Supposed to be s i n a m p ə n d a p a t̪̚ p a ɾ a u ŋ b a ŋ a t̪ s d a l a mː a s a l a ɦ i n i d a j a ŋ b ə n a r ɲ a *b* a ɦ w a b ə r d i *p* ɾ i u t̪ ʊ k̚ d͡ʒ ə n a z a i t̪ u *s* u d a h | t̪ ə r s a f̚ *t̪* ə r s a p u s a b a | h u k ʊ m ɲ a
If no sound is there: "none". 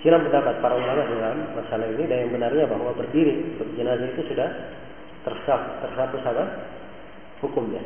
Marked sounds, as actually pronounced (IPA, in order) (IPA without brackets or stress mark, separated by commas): b, none, s, t̪